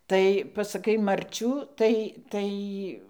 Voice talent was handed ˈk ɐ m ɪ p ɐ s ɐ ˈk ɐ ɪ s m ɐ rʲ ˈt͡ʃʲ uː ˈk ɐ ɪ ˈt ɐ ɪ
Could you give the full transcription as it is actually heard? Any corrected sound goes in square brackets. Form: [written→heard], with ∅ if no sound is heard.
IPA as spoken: [ˈk→ˈt] ɐ [m→∅] ɪ p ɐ s ɐ ˈk ɐ ɪ [s→∅] m ɐ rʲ ˈt͡ʃʲ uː [ˈk→ˈt] ɐ ɪ ˈt ɐ ɪ